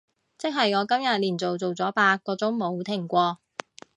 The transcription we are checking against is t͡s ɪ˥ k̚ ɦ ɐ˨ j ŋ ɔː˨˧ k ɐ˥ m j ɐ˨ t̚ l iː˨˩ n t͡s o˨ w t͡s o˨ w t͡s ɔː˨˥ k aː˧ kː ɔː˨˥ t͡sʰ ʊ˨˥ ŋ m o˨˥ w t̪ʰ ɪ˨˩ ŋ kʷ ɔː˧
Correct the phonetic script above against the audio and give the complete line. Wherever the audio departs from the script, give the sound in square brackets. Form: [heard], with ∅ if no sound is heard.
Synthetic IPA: t͡s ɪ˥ k̚ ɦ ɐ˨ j ŋ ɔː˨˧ k ɐ˥ m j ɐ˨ t̚ l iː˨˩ n t͡s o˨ w t͡s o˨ w t͡s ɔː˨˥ [p] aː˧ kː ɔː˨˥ [t͡s] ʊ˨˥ ŋ m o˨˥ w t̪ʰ ɪ˨˩ ŋ kʷ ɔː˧